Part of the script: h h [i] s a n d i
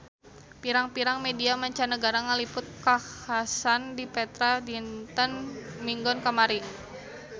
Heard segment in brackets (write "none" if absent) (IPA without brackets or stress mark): a